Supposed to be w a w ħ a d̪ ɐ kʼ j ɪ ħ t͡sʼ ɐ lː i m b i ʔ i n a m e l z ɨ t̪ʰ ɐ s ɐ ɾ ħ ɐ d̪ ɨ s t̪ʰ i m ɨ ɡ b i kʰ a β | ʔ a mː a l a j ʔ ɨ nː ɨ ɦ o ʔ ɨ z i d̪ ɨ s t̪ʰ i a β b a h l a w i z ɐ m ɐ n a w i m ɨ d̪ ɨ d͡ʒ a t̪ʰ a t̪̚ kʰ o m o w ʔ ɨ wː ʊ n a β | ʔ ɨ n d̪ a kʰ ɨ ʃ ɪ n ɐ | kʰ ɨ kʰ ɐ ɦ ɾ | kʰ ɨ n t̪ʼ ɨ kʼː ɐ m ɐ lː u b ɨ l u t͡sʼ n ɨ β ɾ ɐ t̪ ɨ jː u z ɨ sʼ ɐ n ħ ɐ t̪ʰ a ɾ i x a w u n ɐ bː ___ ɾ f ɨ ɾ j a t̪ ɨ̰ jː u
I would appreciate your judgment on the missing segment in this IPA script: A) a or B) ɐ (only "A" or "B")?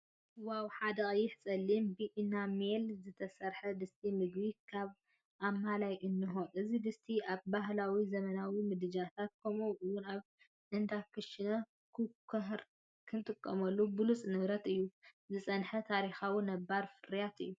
A